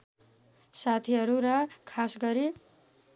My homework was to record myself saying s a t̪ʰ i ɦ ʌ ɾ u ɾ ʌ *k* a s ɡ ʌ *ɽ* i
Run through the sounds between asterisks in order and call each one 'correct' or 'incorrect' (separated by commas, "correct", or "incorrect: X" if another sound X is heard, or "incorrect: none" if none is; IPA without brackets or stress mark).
incorrect: kʰ, incorrect: ɾ